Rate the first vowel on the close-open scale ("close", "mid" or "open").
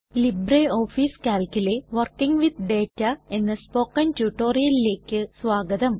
close